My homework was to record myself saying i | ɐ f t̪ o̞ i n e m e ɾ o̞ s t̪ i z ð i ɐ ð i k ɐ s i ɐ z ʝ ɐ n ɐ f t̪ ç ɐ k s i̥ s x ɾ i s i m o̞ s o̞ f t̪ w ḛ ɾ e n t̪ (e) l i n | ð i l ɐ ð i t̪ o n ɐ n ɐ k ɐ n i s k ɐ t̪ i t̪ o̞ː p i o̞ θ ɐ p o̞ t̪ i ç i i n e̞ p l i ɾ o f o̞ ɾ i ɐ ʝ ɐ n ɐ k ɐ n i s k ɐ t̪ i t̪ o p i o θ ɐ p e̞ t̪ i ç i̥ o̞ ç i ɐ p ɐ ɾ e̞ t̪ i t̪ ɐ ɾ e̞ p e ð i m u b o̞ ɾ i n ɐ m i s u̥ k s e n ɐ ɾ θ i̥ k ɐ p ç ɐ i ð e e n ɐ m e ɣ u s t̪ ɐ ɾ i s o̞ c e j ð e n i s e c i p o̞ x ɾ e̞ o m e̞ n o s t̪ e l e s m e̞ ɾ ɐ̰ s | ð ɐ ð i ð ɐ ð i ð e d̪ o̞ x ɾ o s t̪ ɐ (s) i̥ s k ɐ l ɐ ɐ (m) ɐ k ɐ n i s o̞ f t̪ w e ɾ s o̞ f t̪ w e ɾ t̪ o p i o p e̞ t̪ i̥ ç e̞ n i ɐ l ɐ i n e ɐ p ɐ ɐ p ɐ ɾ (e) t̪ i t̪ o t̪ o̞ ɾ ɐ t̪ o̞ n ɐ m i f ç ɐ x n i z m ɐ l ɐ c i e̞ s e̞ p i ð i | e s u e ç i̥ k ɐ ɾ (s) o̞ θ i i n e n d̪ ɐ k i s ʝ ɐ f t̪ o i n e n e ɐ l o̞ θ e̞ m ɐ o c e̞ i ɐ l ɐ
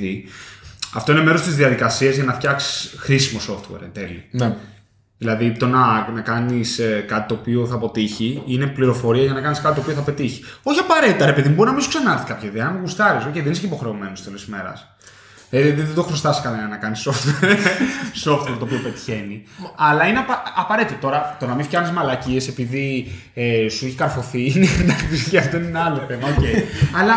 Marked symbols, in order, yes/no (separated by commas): yes, yes, no, yes, no